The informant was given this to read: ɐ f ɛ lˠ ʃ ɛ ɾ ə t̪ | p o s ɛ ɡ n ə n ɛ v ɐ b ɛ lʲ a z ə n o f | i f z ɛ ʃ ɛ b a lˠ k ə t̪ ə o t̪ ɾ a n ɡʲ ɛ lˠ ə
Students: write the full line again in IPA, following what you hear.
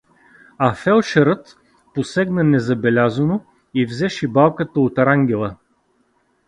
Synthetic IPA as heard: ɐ f ɛ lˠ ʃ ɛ ɾ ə t̪ | p o s ɛ ɡ n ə n ɛ z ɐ b ɛ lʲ a z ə n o | i v z ɛ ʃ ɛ b a lˠ k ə t̪ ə o t̪ ɾ a ŋ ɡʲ ɛ lˠ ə